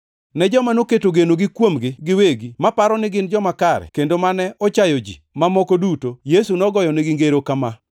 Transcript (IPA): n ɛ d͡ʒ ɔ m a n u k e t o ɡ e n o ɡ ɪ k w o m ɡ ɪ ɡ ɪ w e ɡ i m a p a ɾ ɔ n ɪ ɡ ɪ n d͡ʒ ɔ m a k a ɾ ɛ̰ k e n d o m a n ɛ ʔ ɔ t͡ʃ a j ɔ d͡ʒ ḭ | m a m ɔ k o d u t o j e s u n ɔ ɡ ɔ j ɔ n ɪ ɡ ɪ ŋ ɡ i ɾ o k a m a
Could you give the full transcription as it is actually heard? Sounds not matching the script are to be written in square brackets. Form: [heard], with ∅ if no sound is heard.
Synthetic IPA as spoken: n ɛ d͡ʒ ɔ m a n [o] k e t o ɡ e n o ɡ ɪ k w o m ɡ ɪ ɡ ɪ w e ɡ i m a p a ɾ ɔ n ɪ ɡ ɪ n d͡ʒ ɔ m a k a ɾ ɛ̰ k e n d o m a n ɛ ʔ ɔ t͡ʃ a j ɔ d͡ʒ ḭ | m a m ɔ k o d u t o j e s u n ɔ ɡ ɔ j ɔ n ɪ ɡ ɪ ŋ ɡ [e] ɾ o k a m a